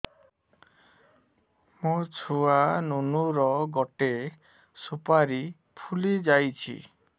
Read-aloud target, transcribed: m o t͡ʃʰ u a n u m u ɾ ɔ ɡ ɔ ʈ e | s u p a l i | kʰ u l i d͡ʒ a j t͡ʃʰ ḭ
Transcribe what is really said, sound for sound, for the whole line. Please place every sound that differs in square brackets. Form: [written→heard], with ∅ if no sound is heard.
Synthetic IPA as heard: m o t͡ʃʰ u a n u [m→n] u ɾ ɔ ɡ ɔ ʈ e | s u p a [l→ɾ] i | [kʰ→pʰ] u l i d͡ʒ a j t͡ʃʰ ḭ